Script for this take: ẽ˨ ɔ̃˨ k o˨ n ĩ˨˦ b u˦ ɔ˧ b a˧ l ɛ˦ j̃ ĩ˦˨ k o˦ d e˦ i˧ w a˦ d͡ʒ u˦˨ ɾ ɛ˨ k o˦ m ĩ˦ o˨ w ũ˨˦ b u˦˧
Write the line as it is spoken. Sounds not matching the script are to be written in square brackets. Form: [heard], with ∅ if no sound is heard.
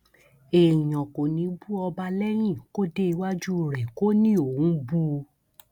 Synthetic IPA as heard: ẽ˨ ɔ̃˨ k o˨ n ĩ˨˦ b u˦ ɔ˧ b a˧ l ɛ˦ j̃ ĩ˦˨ k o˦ d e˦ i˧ w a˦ d͡ʒ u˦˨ ɾ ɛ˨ k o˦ [n] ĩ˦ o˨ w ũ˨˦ b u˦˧